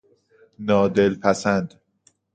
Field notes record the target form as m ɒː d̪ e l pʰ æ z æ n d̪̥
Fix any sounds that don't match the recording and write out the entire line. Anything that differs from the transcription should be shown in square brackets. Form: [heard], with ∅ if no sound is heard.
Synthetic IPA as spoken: [n] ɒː d̪ e l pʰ æ [s] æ n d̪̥

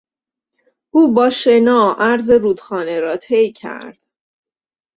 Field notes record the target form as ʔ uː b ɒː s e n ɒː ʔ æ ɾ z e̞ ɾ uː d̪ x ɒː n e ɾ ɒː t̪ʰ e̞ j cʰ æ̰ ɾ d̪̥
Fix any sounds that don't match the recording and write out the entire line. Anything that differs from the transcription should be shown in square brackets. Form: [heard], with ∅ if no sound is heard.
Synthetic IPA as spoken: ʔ uː b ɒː [ʃ] e n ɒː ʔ æ ɾ z e̞ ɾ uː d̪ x ɒː n e ɾ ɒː t̪ʰ e̞ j cʰ æ̰ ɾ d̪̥

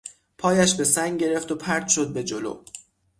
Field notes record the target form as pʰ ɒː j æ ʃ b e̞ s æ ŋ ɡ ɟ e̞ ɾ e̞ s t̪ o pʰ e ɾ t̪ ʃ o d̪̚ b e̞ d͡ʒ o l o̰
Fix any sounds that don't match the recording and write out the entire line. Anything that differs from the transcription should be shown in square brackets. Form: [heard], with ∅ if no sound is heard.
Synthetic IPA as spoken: pʰ ɒː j æ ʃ b e̞ s æ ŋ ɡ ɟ e̞ ɾ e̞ [f] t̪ o pʰ [æ] ɾ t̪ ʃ o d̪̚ b e̞ d͡ʒ o l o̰

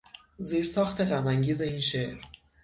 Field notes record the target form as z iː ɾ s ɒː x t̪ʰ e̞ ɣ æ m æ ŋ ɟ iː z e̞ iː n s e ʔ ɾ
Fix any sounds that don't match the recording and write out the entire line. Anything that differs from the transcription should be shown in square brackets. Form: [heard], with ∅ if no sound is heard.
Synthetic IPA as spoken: z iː ɾ s ɒː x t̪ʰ e̞ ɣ æ m æ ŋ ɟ iː z e̞ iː n [ʃ] e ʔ ɾ

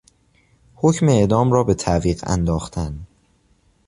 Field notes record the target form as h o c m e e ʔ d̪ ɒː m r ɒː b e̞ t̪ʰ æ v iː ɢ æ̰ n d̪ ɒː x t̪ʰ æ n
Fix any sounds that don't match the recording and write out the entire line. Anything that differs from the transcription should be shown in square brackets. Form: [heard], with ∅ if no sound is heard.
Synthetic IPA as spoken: h o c m e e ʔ d̪ ɒː m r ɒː b e̞ t̪ʰ æ v iː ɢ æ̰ n d̪ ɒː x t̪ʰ æ n

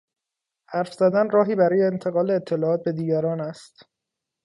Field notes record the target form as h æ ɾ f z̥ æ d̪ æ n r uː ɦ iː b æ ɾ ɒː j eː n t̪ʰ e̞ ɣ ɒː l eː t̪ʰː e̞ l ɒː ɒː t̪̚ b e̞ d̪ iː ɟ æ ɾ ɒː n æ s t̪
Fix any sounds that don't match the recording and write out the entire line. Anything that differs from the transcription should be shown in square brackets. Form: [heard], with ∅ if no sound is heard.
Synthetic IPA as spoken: h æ ɾ f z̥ æ d̪ æ n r [ɒː] ɦ iː b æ ɾ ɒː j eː n t̪ʰ e̞ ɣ ɒː l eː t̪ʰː e̞ l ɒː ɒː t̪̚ b e̞ d̪ iː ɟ æ ɾ ɒː n æ s t̪

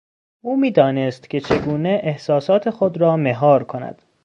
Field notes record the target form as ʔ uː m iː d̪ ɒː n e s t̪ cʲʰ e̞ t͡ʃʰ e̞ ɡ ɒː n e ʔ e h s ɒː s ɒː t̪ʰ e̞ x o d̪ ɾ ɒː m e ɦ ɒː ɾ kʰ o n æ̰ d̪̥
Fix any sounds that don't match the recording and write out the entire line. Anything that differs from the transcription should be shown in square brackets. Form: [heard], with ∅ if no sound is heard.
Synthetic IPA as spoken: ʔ uː m iː d̪ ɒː n e s t̪ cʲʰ e̞ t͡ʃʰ e̞ ɡ [uː] n e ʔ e h s ɒː s ɒː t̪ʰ e̞ x o d̪ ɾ ɒː m e ɦ ɒː ɾ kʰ o n æ̰ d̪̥

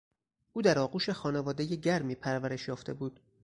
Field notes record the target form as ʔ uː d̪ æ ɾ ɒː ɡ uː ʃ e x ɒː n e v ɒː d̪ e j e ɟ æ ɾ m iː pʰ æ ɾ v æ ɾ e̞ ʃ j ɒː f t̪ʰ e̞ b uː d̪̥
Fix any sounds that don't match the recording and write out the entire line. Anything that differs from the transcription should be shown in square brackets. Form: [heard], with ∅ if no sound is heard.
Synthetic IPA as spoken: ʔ uː d̪ æ ɾ ɒː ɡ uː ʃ e x ɒː n e v ɒː d̪ e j e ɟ æ ɾ m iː pʰ æ ɾ v æ ɾ e̞ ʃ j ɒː f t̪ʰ e̞ b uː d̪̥

